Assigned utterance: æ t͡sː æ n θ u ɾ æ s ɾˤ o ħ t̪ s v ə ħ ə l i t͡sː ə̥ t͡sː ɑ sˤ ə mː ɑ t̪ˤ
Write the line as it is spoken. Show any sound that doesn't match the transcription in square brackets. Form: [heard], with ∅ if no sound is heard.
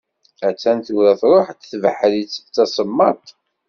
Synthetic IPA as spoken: æ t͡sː æ n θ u ɾ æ [θ] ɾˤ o ħ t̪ [θ] v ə ħ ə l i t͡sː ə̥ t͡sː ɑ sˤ ə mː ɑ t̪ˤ